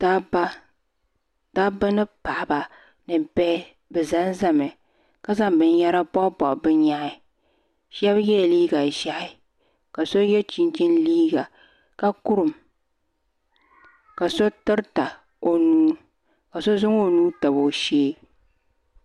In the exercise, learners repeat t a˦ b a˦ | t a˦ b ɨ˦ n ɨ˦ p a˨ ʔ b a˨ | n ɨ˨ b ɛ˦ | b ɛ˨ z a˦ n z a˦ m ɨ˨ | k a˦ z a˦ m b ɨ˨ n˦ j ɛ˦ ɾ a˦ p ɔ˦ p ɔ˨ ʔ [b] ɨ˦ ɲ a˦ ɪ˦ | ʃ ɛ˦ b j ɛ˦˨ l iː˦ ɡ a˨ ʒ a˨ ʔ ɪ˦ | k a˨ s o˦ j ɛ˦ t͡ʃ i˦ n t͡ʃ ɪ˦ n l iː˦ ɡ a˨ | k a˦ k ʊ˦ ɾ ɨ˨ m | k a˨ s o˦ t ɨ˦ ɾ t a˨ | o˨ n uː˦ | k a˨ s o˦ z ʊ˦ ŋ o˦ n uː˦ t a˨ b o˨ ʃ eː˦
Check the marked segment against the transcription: correct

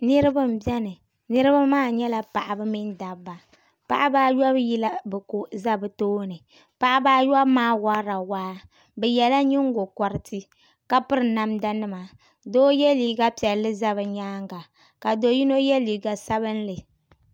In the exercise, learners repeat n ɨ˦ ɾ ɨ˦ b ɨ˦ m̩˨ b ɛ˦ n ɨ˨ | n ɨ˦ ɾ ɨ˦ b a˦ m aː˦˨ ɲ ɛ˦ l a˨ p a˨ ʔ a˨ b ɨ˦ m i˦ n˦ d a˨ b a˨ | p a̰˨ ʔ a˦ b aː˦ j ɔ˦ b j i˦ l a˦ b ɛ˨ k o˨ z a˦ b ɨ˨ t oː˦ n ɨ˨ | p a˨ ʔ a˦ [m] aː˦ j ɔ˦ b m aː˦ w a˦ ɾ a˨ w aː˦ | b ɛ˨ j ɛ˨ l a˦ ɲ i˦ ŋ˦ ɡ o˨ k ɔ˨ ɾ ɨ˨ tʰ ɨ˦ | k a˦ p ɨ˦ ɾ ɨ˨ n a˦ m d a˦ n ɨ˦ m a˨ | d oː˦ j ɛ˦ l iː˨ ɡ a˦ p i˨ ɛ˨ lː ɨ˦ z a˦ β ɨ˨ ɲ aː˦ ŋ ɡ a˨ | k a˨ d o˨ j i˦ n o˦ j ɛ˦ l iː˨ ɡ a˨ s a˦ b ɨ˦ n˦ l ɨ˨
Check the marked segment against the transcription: incorrect: b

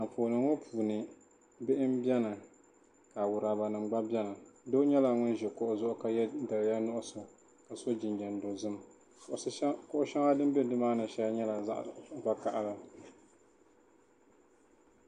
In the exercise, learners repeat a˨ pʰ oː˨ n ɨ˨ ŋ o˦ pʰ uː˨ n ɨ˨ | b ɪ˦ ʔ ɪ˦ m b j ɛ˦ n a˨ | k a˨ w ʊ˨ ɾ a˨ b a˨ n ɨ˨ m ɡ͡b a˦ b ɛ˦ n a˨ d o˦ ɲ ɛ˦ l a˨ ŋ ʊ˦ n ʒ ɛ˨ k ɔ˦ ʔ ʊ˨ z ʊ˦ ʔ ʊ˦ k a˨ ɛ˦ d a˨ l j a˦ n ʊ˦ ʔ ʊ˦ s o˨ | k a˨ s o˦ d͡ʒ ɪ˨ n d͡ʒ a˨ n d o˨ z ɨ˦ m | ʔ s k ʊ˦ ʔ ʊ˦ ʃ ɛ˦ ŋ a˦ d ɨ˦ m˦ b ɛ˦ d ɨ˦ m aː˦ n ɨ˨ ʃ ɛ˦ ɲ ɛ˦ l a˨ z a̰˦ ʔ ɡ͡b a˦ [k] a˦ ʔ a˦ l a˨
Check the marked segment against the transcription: correct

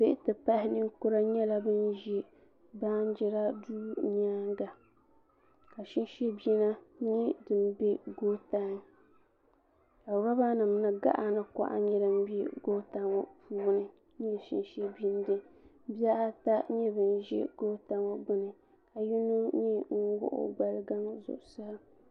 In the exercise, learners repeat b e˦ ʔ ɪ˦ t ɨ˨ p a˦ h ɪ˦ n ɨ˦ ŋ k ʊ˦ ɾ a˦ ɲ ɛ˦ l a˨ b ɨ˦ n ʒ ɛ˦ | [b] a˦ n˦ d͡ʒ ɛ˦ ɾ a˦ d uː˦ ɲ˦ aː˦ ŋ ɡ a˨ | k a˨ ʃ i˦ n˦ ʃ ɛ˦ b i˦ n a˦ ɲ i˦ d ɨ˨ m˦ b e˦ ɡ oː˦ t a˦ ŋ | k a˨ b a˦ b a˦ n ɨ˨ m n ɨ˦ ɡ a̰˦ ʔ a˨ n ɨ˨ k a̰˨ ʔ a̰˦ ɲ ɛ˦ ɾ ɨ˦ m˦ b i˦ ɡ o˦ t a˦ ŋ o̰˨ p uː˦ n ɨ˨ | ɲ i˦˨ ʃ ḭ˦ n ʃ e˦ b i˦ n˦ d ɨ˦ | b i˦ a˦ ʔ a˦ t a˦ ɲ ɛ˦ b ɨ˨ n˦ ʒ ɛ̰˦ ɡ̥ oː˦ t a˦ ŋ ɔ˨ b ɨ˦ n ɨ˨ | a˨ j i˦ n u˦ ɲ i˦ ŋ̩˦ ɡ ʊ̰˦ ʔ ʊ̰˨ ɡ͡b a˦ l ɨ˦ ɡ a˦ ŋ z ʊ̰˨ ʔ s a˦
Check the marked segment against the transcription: correct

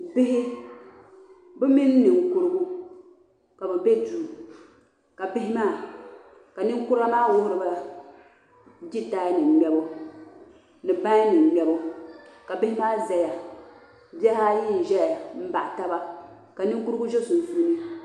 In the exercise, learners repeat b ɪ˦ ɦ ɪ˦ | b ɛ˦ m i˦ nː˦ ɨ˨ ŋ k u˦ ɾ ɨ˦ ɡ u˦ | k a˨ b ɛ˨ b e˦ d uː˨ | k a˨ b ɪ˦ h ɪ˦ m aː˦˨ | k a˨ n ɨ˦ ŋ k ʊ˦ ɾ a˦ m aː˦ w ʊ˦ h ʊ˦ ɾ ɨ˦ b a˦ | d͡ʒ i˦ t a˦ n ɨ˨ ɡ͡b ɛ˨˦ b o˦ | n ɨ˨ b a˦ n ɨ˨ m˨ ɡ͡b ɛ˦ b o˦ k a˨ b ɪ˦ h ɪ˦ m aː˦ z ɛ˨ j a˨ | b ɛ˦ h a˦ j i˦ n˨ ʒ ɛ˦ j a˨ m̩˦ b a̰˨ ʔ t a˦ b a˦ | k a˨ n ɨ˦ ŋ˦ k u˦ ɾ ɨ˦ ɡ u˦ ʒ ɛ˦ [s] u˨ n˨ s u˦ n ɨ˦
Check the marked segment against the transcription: correct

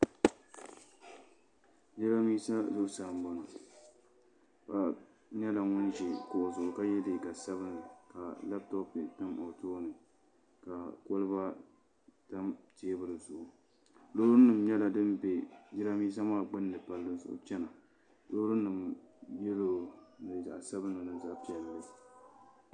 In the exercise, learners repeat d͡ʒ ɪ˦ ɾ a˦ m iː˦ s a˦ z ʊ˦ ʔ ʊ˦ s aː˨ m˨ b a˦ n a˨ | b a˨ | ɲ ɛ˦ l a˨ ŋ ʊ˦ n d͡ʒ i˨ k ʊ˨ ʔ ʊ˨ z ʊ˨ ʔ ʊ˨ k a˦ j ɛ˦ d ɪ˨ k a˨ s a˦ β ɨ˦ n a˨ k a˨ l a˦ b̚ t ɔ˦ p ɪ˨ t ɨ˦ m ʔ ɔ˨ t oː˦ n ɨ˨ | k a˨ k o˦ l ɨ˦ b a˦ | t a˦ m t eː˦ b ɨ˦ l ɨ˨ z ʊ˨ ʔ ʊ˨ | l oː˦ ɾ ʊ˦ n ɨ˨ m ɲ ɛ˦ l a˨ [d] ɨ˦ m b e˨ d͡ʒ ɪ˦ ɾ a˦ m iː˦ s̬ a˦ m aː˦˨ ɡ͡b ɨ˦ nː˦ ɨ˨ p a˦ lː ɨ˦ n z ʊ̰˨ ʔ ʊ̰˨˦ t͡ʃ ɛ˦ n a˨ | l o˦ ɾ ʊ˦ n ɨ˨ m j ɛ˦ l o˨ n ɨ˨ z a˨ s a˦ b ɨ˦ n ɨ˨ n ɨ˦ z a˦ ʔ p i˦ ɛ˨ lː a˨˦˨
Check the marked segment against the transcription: correct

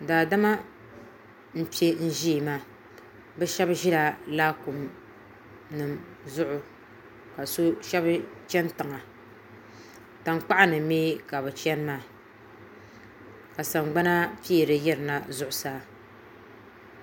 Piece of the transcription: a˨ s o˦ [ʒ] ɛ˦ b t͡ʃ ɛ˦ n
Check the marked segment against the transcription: incorrect: ʃ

